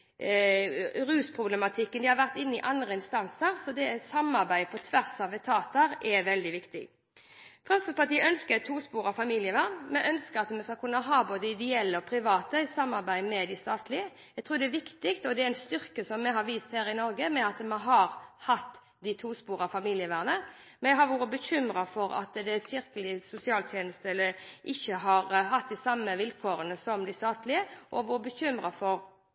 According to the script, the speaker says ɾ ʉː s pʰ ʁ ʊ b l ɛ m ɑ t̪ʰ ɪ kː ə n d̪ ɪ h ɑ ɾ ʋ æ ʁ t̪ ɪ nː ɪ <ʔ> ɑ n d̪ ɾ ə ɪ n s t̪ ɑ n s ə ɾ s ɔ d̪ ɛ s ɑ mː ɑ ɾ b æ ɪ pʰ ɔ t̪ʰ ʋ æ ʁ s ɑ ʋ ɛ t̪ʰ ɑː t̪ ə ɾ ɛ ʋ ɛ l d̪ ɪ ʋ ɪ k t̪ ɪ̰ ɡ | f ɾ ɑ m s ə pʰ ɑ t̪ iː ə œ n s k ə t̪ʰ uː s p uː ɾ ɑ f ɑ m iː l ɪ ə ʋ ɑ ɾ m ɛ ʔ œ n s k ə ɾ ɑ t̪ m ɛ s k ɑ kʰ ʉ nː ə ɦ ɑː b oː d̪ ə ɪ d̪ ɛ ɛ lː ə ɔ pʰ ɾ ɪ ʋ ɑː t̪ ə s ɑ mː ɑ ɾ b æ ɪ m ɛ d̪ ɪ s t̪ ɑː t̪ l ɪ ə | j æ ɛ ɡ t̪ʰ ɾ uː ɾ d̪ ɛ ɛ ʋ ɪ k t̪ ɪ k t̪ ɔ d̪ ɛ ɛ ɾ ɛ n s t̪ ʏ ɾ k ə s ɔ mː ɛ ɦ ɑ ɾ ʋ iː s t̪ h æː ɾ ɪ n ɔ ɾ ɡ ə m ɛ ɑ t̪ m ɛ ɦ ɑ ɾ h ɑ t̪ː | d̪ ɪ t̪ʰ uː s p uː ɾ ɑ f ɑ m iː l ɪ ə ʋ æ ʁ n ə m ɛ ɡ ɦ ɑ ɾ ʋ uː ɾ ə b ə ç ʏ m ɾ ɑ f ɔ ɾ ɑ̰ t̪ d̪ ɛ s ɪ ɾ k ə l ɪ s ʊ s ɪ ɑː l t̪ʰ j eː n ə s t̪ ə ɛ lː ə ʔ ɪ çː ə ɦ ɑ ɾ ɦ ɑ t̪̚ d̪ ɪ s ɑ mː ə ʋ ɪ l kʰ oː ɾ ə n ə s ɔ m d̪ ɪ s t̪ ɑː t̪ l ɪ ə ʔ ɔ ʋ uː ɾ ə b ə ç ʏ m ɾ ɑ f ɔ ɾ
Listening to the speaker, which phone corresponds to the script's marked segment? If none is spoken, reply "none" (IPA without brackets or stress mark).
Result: ʔ